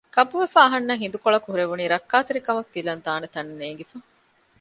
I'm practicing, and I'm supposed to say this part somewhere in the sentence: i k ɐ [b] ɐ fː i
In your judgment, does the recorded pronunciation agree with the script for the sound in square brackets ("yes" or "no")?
no